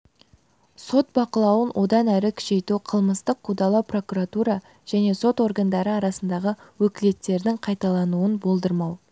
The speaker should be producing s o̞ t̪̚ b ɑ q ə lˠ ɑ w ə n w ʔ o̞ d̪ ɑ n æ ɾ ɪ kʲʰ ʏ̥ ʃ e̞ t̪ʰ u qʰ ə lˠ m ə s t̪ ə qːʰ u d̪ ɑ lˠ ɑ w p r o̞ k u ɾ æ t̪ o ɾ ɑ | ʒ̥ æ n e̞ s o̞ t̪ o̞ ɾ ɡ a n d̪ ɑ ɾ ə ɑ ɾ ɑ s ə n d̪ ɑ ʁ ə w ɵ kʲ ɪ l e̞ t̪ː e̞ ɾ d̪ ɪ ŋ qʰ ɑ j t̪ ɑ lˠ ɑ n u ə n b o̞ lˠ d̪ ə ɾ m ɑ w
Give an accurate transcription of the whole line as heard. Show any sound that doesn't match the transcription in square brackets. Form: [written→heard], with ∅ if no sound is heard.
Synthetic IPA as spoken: s o̞ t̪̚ b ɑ q ə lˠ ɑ w ə n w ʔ o̞ d̪ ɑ n æ ɾ ɪ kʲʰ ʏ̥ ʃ e̞ [t̪ʰ→t̪] u qʰ ə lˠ m ə s t̪ ə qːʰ u d̪ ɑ lˠ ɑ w p r o̞ k u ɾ [æ→a] t̪ [o→u] ɾ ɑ | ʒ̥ æ n e̞ s o̞ t̪ o̞ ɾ ɡ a n d̪ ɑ ɾ ə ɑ ɾ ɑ s ə n d̪ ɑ ʁ ə w ɵ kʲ ɪ l e̞ t̪ː e̞ ɾ d̪ ɪ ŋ qʰ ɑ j t̪ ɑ lˠ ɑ n u ə n b o̞ lˠ d̪ ə ɾ m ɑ w